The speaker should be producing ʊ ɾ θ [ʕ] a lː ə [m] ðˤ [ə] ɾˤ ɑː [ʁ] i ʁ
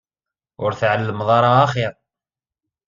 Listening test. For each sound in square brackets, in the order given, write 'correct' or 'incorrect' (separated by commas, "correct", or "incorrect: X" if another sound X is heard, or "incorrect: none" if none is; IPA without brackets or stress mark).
correct, correct, incorrect: ɑ, incorrect: χ